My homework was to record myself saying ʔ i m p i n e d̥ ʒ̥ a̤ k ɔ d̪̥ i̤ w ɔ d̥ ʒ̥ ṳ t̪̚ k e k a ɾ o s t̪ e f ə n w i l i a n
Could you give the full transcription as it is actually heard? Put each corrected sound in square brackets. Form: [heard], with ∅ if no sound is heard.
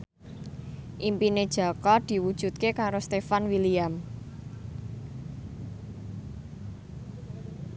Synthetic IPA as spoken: ʔ i m p i n e d̥ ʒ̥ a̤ k ɔ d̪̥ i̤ w [u] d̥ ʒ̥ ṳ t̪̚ k e k a ɾ o s t̪ e f [a] n w i l i a [m]